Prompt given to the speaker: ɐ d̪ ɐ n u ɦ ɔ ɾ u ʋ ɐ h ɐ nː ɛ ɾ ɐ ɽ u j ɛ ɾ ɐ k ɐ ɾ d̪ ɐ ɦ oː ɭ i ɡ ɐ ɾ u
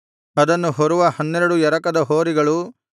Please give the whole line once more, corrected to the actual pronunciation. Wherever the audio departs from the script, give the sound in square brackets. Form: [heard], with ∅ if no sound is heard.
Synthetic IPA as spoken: ɐ d̪ ɐ [nː] u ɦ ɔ ɾ u ʋ ɐ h ɐ nː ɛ ɾ ɐ ɽ u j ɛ ɾ ɐ k ɐ [∅] d̪ ɐ ɦ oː [ɾ] i ɡ ɐ [ɭ] u